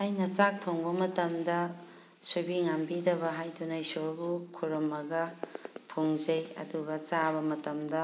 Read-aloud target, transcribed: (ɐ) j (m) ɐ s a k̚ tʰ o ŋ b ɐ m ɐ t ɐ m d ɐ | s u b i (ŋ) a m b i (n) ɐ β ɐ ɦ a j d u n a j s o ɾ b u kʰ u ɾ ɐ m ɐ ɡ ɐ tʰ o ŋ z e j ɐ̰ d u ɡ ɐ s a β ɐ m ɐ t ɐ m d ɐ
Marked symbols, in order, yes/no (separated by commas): no, no, yes, no